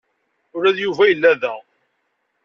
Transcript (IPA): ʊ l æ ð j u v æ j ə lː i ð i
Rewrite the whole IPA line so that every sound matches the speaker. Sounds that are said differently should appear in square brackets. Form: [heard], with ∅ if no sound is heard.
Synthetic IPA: ʊ [ɾ] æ ð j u v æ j ə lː [æ] ð [æ]